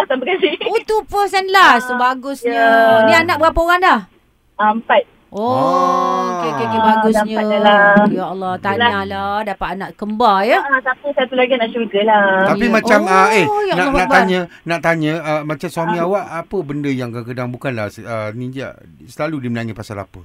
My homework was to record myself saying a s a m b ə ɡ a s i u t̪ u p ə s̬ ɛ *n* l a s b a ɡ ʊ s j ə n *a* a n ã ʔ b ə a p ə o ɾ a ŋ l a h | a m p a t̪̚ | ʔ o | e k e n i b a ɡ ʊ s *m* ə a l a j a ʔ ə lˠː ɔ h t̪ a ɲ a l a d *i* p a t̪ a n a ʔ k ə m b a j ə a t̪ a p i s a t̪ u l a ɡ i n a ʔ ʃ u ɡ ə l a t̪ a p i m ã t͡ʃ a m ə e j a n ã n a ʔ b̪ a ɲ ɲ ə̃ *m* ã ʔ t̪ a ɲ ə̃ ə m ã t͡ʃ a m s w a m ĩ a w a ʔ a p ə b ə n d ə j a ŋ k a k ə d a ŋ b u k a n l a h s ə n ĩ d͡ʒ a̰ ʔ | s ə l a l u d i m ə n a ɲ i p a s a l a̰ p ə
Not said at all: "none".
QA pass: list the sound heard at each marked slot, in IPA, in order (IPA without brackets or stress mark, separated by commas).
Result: n, i, ɲ, a, n